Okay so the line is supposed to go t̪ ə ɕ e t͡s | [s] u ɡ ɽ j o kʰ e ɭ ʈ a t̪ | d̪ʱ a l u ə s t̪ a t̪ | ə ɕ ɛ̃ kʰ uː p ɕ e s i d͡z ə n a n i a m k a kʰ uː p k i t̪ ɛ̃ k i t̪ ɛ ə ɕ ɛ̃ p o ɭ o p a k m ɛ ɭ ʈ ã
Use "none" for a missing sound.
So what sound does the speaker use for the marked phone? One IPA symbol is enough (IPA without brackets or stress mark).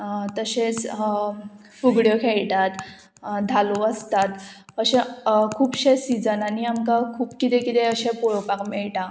f